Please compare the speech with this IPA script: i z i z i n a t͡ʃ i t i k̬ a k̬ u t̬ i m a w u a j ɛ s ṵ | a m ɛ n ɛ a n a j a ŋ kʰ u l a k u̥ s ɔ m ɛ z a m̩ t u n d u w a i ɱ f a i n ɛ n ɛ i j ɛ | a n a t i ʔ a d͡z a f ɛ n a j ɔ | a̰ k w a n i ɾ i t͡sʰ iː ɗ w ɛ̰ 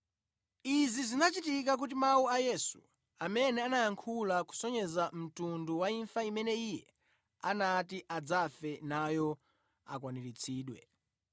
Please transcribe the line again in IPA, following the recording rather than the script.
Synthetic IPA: i z i z i n a t͡ʃ i t i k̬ a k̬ u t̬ i m a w u a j ɛ s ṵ | a m ɛ n ɛ a n a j a ŋ kʰ u l a k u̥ s ɔ ɲ ɛ z a m̩ t u n d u w a i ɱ f a i m ɛ n ɛ i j ɛ | a n a t i ʔ a d͡z a f ɛ n a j ɔ | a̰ k w a n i ɾ i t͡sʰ iː ɗ w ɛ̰